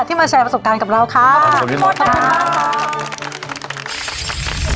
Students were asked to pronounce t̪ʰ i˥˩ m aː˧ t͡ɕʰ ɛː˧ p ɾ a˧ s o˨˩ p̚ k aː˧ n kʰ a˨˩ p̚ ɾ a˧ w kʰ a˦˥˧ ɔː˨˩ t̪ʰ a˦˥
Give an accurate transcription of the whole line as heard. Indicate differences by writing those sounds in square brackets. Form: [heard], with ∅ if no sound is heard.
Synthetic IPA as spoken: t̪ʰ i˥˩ m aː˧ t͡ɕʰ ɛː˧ p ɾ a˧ s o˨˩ p̚ k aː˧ n [k] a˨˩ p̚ ɾ a˧ w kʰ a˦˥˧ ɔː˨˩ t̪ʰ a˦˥